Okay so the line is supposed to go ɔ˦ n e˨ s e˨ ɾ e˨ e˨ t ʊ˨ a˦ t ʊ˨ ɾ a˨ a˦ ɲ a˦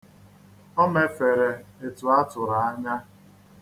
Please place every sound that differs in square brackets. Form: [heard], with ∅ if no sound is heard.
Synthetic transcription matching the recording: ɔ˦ [m] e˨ [f] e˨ ɾ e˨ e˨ t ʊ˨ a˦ t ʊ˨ ɾ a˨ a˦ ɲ a˦